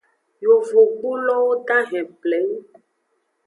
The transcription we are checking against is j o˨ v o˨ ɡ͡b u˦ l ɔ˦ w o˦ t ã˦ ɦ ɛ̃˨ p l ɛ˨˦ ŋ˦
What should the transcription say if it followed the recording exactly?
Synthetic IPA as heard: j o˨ v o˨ ɡ͡b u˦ l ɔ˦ w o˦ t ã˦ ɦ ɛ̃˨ p l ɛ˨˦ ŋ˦